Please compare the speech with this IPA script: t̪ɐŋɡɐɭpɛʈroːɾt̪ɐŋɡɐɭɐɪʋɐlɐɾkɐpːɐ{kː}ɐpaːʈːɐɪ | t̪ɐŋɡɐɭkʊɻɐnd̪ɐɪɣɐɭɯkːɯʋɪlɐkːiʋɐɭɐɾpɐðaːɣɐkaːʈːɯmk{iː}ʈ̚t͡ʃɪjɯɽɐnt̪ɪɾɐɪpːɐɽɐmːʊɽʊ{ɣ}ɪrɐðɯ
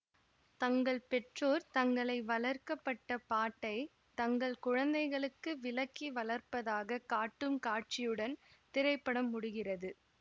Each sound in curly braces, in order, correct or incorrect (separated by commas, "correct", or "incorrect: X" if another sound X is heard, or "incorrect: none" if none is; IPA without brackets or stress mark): incorrect: ʈː, incorrect: aː, correct